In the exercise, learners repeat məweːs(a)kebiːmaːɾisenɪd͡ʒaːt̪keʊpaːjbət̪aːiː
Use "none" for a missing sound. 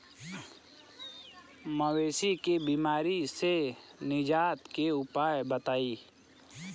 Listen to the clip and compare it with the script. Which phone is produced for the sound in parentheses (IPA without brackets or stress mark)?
i